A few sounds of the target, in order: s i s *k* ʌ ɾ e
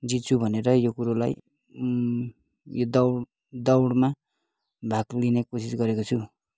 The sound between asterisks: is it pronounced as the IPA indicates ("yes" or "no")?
no